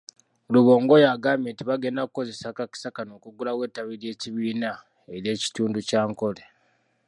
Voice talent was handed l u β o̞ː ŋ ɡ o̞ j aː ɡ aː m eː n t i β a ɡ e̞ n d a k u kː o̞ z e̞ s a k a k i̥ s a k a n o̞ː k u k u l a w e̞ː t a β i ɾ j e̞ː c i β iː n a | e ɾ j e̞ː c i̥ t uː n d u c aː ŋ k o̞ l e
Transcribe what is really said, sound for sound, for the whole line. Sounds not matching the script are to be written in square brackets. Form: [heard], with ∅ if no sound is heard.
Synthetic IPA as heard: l u β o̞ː ŋ ɡ o̞ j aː ɡ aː m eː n t i β a ɡ e̞ n d a k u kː o̞ z e̞ s a k a k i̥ s a k a n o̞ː k u [ɡ] u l a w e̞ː t a β i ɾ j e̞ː c i β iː n a | e ɾ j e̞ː c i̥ t uː n d u c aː ŋ k o̞ l e